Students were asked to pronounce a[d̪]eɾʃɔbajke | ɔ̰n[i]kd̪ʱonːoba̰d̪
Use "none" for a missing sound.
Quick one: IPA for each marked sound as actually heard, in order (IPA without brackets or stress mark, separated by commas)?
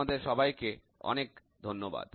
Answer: d̪, e